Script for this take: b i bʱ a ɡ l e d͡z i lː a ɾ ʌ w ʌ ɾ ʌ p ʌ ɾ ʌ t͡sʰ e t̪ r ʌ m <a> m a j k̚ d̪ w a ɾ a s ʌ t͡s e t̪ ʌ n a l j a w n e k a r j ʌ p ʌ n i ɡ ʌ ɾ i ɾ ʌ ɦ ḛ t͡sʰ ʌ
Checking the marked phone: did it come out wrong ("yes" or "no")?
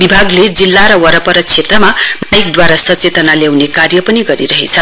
no